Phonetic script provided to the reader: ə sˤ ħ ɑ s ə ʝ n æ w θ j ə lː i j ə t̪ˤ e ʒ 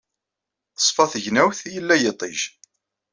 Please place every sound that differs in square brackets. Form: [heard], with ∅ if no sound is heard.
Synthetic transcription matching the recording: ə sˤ [f] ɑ [θ] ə ʝ n æ w θ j ə lː [æ] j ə t̪ˤ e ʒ